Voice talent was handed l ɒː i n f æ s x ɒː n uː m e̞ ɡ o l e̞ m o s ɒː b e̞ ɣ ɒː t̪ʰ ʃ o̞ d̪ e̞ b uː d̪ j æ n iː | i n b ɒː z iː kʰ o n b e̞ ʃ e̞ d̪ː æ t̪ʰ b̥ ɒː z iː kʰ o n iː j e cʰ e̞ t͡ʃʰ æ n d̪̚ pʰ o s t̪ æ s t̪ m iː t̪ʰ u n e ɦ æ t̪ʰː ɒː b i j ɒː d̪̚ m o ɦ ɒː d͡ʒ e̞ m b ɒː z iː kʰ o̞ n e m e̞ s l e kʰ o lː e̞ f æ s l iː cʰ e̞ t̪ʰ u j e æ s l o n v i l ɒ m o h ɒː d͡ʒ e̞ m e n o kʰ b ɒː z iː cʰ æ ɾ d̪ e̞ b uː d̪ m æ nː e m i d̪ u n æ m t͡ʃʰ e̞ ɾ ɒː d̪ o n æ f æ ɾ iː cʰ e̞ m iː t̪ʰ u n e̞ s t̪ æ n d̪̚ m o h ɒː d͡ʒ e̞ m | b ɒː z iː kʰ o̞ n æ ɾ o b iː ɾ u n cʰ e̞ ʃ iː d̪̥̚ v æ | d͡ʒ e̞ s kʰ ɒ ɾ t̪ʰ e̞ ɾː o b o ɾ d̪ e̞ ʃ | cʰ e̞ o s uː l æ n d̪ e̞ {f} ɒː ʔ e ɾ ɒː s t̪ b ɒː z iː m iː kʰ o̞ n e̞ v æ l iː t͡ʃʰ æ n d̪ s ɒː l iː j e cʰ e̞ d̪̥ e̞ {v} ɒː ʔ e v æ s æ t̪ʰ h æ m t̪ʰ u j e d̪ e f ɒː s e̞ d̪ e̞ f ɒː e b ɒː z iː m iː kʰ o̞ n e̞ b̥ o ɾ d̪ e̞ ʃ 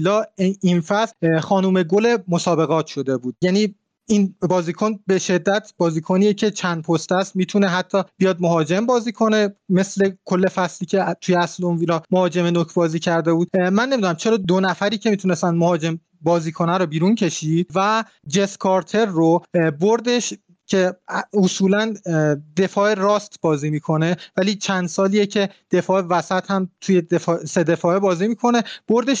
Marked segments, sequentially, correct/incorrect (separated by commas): correct, incorrect